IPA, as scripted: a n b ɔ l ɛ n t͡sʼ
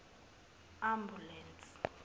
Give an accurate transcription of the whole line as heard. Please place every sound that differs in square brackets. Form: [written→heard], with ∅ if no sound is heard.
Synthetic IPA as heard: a [n→m] b [ɔ→u] l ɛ n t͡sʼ